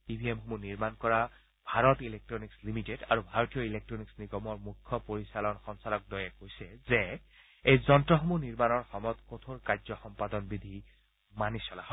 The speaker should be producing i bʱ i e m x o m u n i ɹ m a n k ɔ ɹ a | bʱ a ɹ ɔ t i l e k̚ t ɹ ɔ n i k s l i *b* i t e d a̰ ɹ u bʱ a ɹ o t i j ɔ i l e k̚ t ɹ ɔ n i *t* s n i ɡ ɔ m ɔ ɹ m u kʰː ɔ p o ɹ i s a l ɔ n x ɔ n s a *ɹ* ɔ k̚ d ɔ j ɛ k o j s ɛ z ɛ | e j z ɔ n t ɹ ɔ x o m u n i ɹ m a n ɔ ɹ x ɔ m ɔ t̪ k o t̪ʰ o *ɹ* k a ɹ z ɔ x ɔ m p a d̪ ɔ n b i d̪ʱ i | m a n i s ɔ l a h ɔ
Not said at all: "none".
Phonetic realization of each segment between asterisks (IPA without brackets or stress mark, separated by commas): m, k, l, ɹ